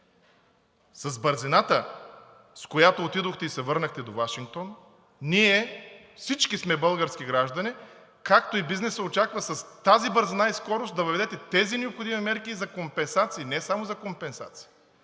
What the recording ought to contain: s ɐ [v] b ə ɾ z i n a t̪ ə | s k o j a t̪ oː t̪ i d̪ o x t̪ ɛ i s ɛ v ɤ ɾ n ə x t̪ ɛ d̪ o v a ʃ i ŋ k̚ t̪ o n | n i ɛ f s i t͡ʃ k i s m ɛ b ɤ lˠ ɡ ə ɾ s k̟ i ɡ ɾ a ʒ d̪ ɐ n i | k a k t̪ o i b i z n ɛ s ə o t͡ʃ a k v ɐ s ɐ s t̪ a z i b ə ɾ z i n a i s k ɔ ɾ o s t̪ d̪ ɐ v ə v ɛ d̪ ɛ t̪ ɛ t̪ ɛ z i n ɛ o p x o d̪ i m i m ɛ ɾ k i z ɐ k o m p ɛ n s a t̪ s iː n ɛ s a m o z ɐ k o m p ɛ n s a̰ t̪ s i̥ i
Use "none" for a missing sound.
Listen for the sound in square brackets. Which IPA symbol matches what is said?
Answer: z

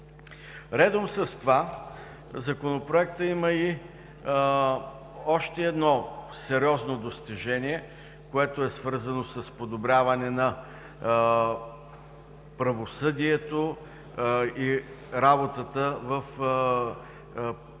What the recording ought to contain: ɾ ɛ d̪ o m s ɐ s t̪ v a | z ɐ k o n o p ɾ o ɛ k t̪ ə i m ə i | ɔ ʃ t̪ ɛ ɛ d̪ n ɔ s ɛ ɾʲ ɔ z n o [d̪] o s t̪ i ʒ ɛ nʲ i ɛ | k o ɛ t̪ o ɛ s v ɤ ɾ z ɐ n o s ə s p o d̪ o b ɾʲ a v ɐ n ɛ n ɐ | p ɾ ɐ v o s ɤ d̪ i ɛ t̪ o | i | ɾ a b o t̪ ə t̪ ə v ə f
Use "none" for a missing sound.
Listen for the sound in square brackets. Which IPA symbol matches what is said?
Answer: d̪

